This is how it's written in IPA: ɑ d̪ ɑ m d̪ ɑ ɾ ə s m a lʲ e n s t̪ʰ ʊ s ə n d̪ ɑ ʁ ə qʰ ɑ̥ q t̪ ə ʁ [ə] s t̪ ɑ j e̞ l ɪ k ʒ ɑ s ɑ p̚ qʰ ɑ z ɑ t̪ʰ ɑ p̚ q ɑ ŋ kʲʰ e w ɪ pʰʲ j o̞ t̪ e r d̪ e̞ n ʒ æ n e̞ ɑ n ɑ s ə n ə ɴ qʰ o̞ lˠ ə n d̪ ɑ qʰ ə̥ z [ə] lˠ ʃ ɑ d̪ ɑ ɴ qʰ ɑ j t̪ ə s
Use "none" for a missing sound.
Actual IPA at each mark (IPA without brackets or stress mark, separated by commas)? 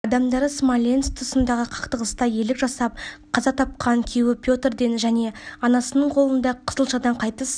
ə, ə